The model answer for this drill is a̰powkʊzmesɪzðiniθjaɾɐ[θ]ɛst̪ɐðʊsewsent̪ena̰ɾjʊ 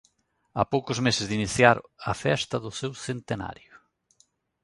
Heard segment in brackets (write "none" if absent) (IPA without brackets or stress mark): f